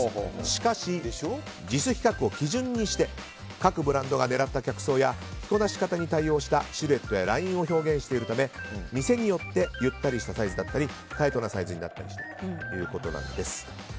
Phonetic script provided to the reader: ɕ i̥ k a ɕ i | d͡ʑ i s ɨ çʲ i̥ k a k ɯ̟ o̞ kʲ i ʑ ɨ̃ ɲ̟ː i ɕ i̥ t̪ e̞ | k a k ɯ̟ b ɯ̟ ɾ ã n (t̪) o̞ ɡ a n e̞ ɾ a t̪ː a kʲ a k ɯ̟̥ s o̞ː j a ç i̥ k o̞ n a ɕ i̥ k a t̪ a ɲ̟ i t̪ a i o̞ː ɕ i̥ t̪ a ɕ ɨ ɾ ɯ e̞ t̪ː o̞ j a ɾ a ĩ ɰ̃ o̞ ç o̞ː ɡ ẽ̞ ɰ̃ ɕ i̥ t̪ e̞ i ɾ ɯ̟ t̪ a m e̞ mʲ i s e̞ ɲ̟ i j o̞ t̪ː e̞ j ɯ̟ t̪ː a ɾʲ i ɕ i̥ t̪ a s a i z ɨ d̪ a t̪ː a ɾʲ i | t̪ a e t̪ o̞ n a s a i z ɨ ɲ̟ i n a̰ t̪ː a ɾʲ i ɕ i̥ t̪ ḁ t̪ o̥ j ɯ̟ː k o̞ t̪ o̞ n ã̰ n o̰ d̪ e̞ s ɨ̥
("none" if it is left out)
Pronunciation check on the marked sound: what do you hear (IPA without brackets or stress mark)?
d̪